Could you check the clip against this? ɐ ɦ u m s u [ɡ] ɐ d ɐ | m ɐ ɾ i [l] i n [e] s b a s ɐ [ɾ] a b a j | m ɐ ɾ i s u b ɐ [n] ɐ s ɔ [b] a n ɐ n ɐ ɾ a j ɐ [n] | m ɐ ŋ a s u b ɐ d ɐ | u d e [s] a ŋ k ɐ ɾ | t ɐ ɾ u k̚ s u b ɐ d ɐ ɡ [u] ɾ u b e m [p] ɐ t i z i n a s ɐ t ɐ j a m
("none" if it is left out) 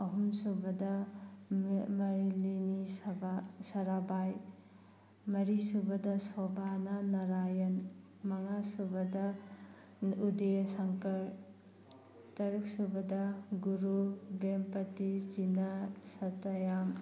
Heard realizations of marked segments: b, l, i, ɾ, d, b, n, s, u, p

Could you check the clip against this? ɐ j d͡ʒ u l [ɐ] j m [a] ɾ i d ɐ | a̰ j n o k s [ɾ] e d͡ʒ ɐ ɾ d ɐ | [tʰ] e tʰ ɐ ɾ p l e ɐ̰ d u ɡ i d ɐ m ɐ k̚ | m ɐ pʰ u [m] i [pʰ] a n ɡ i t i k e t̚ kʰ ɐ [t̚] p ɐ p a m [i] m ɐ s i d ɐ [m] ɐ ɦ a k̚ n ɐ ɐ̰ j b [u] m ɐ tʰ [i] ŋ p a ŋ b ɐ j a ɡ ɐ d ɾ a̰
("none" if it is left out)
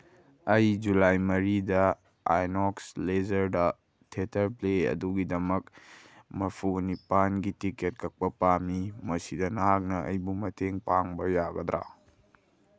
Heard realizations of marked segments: a, ɐ, l, tʰ, n, p, k̚, i, n, u, e

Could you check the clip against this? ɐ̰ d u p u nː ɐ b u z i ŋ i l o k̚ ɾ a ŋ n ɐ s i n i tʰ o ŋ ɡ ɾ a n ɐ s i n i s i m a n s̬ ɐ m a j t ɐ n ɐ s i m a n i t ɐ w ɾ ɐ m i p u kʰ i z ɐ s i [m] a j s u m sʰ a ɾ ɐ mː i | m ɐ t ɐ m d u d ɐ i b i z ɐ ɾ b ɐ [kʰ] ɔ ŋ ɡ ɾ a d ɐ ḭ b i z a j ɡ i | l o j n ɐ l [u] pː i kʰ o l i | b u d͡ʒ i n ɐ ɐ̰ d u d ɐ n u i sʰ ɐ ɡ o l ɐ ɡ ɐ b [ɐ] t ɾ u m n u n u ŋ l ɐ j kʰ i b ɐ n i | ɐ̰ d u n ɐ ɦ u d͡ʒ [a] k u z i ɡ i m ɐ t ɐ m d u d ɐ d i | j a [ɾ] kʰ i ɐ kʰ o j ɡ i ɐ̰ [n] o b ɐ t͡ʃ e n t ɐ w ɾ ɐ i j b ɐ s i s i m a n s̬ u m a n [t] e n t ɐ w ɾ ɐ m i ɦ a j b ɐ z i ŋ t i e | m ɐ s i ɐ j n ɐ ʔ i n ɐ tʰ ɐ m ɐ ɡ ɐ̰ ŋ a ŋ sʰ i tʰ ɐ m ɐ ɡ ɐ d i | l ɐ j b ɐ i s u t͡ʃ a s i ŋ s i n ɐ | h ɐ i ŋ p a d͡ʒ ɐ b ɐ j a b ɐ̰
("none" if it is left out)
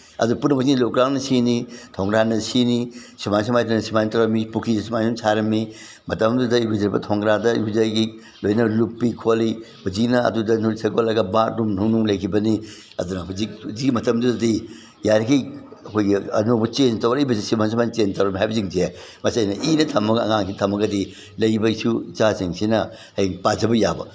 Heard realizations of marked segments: m, tʰ, u, a, i, ɾ, n, t͡ʃ

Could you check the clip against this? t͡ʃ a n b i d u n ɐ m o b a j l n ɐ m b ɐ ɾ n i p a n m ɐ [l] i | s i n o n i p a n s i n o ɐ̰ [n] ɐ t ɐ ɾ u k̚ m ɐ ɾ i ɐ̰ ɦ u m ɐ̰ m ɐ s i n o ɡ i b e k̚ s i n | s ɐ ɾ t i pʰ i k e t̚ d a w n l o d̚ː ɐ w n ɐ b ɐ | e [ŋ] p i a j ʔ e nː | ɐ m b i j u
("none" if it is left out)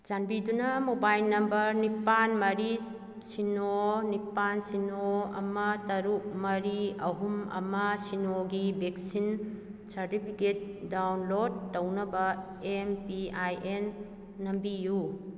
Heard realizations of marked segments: ɾ, m, m

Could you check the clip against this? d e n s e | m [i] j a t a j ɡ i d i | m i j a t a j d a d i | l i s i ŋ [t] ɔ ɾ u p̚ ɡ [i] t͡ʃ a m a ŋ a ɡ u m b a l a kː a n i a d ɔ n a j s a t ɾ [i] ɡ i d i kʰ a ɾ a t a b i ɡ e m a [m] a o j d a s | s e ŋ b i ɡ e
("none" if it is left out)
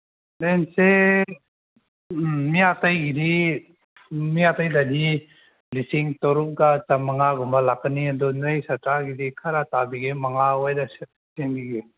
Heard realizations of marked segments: i, t, a, a, ŋ

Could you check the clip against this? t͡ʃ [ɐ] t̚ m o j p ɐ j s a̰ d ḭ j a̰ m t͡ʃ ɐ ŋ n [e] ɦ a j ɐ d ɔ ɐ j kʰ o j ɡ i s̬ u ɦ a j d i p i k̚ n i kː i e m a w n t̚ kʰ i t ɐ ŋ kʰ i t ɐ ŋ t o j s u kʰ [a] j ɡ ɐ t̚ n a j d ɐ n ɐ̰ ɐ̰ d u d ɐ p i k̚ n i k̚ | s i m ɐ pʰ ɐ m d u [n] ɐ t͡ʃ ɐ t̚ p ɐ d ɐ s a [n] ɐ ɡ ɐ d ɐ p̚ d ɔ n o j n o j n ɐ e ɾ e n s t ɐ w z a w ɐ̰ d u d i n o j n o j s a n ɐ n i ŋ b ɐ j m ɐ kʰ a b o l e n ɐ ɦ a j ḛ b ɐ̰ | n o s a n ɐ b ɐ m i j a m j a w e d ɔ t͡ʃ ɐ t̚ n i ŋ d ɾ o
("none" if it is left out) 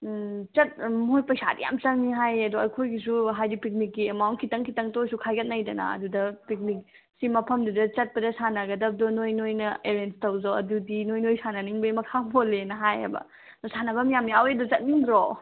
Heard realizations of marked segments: ɐ, i, a, d, n

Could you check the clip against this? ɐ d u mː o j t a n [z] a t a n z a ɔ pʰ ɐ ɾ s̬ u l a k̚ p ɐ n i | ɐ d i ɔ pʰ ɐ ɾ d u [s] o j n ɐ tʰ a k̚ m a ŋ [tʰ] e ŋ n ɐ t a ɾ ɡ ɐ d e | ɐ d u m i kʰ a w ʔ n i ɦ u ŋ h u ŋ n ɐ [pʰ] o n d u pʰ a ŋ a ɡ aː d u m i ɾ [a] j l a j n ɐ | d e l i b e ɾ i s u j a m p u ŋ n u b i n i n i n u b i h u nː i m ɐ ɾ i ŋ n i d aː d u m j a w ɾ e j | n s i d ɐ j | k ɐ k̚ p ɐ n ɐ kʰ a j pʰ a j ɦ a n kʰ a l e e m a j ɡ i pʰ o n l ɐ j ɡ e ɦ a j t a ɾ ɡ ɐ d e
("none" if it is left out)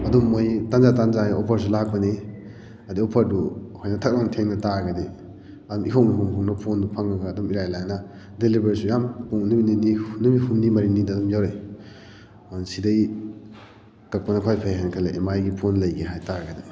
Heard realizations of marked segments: z, h, tʰ, pʰ, a

